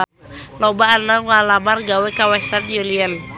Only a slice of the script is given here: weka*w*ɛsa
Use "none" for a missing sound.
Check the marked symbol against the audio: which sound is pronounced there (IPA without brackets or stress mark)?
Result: w